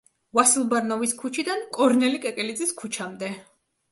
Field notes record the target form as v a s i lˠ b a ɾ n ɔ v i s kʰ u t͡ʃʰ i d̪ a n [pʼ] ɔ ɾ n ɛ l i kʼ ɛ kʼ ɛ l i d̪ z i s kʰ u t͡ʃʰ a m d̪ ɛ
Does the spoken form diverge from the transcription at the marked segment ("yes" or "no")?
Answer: yes